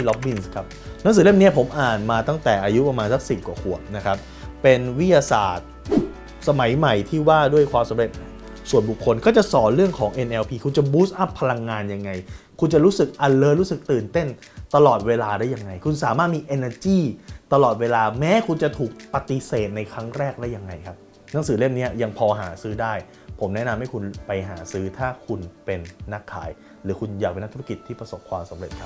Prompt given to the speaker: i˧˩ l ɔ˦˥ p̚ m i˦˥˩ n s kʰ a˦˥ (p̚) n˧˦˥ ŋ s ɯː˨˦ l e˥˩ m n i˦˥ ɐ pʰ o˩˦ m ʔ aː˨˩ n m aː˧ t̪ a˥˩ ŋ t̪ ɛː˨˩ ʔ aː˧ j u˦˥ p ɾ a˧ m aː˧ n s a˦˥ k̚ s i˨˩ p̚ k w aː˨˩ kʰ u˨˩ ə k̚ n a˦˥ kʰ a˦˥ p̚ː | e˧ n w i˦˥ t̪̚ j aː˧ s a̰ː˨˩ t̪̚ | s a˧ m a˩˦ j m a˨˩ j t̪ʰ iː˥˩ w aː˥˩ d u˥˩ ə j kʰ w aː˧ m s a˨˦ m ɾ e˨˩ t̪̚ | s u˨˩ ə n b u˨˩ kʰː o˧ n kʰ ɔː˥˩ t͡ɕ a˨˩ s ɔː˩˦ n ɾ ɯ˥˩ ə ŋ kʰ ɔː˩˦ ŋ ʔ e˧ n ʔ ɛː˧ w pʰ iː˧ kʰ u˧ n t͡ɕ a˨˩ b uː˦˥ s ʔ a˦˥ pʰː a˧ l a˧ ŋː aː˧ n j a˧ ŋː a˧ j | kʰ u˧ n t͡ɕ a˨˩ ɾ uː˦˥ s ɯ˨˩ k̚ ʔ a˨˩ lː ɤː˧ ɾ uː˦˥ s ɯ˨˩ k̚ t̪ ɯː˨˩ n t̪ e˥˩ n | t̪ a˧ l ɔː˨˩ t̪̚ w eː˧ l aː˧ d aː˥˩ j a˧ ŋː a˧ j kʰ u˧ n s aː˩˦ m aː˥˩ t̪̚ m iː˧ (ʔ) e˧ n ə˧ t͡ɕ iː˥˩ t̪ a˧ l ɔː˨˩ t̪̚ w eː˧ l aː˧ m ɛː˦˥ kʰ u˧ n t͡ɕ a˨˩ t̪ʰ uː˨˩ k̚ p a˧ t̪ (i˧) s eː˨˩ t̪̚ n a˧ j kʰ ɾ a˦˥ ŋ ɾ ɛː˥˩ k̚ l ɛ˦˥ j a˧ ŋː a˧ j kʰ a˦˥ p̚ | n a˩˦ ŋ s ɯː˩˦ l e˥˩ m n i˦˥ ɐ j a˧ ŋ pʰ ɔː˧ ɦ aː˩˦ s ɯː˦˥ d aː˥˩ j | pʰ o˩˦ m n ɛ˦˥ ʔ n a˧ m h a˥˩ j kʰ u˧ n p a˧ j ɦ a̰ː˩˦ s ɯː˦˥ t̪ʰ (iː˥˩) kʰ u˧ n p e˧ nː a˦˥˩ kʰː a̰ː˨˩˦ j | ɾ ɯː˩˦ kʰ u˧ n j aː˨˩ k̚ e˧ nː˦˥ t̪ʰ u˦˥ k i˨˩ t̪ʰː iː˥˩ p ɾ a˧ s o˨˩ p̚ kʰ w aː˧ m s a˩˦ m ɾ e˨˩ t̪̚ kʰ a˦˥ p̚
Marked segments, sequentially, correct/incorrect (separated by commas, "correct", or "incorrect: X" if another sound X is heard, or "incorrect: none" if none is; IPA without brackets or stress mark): correct, correct, correct, incorrect: aː˥˩